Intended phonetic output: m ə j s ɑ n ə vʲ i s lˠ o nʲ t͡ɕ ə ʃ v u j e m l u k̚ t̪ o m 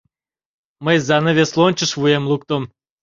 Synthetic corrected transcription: m ə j z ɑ n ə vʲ e s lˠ o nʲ t͡ɕ ə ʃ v u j e m l u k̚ t̪ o m